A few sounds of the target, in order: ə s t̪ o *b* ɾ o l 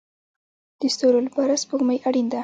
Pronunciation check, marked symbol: incorrect: none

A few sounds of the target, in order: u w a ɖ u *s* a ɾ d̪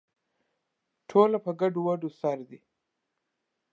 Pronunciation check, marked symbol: correct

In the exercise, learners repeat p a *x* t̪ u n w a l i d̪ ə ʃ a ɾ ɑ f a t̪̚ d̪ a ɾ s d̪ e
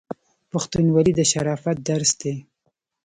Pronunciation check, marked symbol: correct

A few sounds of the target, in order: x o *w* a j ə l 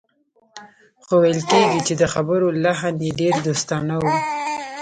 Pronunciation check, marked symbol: correct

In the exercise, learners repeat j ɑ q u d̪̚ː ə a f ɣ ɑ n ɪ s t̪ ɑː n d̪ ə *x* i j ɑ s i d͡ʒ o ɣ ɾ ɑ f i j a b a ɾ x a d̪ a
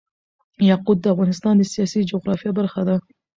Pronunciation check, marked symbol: incorrect: s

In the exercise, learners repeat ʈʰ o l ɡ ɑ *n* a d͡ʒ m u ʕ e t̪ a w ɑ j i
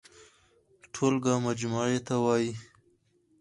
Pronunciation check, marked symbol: incorrect: m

